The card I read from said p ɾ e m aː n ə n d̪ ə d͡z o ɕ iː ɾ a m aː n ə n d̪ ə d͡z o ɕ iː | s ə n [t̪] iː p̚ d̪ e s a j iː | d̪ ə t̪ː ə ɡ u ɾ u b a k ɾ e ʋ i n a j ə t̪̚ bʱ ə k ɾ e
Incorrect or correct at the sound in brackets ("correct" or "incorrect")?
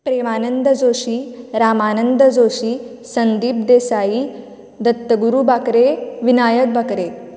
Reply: incorrect